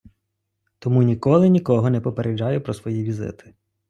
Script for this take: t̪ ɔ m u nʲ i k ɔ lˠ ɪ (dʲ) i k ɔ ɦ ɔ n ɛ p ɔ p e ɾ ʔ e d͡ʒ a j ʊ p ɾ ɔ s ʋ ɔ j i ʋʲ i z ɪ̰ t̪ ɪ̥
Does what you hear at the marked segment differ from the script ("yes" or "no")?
yes